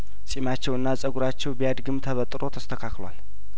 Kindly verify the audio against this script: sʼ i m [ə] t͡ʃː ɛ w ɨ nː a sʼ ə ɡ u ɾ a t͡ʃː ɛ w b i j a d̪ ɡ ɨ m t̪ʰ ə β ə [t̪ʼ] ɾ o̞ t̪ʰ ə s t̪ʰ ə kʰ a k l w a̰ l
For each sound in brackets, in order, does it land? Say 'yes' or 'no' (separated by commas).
no, yes